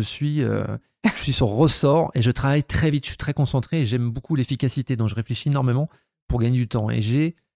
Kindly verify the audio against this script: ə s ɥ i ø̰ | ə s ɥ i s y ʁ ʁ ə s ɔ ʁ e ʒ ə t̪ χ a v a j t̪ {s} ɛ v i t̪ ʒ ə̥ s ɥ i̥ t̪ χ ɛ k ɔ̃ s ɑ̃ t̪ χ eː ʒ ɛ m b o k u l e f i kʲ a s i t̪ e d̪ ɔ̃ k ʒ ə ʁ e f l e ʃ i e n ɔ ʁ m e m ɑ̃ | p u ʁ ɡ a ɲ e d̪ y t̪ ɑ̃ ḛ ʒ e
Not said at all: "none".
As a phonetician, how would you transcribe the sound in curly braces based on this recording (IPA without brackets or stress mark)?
χ